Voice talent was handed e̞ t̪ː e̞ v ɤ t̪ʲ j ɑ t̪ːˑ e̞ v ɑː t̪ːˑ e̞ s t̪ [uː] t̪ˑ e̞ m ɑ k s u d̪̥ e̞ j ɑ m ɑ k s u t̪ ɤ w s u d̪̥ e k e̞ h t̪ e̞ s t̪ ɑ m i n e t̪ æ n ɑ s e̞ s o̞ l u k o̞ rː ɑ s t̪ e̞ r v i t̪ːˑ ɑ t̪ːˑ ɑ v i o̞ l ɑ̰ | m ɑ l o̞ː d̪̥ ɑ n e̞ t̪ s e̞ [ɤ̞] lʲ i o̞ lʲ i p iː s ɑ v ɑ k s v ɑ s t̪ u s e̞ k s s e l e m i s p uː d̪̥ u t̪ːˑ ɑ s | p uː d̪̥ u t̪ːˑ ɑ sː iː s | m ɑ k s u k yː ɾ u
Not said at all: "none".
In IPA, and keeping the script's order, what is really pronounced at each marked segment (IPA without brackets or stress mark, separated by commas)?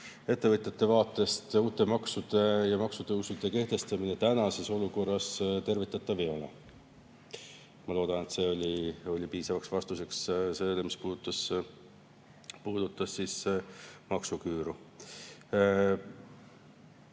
uː, o̞